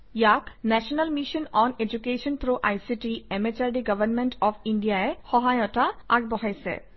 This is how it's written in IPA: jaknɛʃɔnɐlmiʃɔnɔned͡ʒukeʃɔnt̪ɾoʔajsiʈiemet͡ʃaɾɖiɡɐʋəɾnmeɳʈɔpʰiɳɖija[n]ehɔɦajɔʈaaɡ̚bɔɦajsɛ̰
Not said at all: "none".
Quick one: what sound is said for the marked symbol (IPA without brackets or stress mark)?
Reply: none